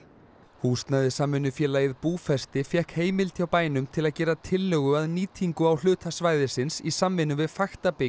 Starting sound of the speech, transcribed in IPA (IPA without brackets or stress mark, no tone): h